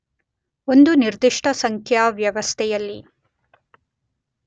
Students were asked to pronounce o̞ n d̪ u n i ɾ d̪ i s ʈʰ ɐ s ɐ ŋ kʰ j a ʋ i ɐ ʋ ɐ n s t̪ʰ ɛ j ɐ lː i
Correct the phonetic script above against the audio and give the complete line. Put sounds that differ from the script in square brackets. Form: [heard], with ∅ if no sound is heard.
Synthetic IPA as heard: o̞ n d̪ u n i ɾ d̪ i [ʂ] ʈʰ ɐ s ɐ ŋ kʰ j a ʋ [j] ɐ ʋ ɐ [∅] s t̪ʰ ɛ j ɐ lː i